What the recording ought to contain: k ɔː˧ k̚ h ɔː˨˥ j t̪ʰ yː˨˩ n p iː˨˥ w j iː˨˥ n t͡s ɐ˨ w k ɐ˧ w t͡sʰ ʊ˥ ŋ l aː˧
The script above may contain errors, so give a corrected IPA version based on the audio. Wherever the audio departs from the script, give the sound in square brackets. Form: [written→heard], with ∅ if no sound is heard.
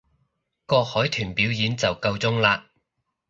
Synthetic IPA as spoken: k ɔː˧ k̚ h ɔː˨˥ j t̪ʰ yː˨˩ n p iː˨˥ w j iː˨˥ n t͡s ɐ˨ w k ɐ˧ w [t͡sʰ→t͡s] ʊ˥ ŋ l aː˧